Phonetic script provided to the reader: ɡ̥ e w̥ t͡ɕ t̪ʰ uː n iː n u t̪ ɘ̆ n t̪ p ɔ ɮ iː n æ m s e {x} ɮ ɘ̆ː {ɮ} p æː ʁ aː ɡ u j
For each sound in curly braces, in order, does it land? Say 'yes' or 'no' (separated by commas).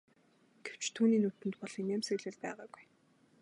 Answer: no, yes